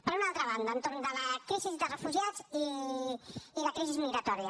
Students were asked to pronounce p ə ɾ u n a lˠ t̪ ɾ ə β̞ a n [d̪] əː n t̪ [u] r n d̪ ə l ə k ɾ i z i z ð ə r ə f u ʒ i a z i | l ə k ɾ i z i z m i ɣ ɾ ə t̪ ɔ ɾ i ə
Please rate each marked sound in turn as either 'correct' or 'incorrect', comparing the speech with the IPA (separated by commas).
correct, incorrect